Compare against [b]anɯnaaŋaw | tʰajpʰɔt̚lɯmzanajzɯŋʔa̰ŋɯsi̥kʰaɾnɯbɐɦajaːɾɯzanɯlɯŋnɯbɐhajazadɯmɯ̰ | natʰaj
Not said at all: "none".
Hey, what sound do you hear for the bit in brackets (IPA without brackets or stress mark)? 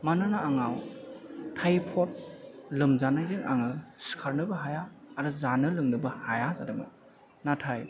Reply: m